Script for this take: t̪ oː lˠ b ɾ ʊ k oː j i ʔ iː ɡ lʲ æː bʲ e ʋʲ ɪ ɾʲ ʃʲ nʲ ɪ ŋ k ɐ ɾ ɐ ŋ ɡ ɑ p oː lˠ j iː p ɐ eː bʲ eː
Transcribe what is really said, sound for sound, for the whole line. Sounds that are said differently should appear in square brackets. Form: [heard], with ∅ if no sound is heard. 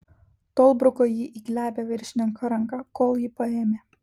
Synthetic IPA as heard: t̪ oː lˠ b ɾ ʊ k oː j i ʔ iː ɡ lʲ æː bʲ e ʋʲ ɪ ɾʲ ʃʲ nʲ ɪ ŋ k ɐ ɾ ɐ ŋ [k] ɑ [k] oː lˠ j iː p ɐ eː [mʲ] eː